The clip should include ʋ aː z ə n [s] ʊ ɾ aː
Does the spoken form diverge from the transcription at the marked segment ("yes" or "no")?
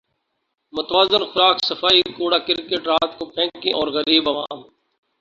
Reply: yes